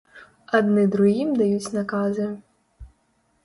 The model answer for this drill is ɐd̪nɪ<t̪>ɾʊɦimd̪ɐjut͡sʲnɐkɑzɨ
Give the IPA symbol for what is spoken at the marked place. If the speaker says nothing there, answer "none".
d̪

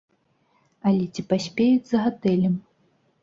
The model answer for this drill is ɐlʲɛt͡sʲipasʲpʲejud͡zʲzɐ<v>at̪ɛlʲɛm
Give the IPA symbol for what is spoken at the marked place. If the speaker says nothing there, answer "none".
ɣ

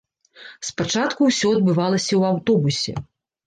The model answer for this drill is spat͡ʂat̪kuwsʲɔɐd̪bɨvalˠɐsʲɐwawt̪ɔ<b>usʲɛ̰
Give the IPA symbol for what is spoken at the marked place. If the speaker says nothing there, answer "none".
b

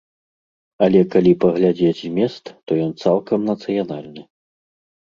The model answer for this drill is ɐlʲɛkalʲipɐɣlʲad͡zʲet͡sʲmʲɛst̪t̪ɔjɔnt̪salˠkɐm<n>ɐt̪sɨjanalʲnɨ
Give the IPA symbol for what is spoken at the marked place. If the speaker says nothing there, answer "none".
n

